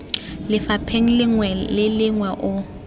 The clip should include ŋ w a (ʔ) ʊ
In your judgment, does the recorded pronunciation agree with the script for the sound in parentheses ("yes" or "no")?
yes